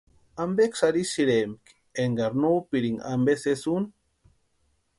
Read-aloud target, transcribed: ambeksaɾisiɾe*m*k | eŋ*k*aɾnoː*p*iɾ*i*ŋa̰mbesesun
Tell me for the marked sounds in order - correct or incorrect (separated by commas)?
correct, incorrect, correct, correct